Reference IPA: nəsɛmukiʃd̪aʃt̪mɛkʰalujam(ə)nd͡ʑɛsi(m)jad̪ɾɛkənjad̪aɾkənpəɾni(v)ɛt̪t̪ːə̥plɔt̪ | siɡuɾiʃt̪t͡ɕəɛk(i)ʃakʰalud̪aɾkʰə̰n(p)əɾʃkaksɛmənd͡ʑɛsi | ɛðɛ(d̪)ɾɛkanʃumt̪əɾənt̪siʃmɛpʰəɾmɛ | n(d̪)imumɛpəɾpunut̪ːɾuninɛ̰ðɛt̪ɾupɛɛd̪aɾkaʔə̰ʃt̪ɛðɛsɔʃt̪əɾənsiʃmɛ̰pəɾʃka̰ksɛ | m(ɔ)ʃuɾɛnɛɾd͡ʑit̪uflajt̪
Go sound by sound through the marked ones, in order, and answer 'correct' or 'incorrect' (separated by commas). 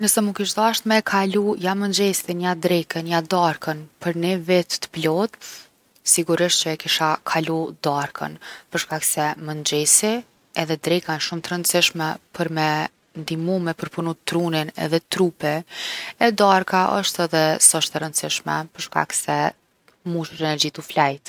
correct, incorrect, correct, correct, correct, correct, correct, incorrect